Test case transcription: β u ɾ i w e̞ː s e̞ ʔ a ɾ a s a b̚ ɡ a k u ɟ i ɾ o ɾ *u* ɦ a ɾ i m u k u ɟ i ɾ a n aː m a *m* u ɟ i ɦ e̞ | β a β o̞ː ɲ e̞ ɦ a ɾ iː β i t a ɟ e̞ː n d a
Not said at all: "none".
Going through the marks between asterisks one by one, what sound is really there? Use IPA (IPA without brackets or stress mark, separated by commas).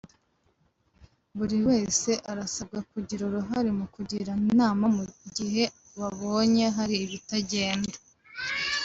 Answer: u, m